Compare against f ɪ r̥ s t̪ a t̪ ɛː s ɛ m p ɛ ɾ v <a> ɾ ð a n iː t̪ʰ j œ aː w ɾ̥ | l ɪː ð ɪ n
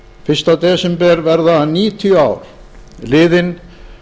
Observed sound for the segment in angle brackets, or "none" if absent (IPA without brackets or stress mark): ɛ